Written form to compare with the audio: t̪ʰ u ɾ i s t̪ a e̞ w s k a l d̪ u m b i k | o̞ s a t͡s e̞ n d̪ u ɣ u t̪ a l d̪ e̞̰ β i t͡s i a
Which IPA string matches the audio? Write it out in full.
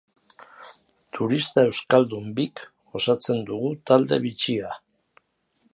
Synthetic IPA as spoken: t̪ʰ u ɾ i s t̪ a e̞ w s k a l d̪ u m b i k | o̞ s a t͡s e̞ n d̪ u ɣ u t̪ a l d̪ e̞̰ β i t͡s i a